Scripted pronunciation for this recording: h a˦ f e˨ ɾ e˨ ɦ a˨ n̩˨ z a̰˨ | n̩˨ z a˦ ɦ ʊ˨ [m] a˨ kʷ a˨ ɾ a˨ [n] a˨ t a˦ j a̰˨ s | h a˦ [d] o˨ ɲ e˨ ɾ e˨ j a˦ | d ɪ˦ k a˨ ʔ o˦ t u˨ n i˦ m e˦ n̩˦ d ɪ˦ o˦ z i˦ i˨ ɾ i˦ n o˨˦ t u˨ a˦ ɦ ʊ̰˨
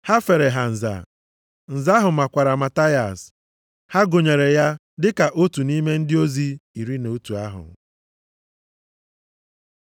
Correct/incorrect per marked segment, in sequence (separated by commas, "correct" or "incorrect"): correct, incorrect, incorrect